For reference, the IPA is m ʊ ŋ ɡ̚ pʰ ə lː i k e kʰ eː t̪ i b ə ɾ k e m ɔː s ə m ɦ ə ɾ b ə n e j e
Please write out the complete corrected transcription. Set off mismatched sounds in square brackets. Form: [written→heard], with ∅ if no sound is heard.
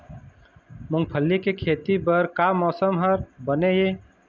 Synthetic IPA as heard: m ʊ ŋ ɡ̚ pʰ ə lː i k e kʰ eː t̪ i b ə ɾ k [e→a] m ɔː s ə m ɦ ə ɾ b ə n e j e